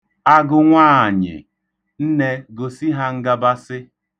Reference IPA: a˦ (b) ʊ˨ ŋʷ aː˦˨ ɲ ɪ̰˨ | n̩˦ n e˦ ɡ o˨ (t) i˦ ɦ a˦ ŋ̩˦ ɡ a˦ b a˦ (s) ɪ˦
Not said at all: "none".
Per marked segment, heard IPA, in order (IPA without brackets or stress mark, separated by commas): ɡ, s, s